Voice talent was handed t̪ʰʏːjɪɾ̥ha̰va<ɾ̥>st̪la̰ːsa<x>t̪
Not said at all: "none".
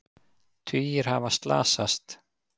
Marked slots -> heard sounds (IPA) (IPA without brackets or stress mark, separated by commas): none, s